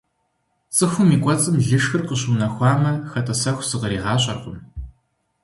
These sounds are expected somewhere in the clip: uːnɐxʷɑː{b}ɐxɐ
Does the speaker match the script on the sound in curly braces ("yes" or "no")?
no